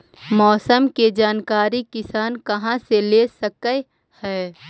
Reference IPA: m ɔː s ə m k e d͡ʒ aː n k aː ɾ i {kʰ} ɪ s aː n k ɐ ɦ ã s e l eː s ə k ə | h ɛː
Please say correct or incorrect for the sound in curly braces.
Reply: incorrect: k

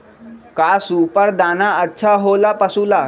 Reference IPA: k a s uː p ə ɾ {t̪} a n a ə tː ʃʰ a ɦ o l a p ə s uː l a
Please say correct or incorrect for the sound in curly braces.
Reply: incorrect: d̪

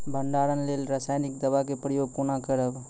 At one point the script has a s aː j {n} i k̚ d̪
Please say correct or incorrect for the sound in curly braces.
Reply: correct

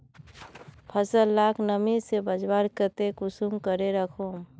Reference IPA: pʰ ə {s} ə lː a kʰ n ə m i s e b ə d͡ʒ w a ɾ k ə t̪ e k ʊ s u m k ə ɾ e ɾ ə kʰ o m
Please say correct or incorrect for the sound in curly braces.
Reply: correct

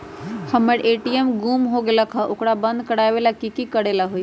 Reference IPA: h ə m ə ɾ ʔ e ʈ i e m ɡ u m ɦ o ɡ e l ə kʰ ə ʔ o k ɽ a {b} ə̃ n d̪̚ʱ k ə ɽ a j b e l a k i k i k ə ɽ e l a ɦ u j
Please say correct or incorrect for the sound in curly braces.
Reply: correct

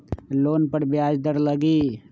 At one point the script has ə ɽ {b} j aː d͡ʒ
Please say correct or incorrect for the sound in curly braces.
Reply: correct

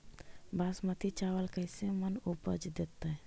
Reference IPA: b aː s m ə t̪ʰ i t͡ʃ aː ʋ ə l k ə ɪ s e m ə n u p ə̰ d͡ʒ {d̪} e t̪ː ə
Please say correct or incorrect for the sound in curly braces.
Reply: correct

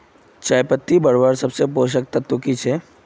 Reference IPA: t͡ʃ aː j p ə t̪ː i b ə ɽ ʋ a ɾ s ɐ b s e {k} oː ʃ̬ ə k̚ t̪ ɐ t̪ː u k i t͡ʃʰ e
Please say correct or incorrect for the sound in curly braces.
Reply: incorrect: p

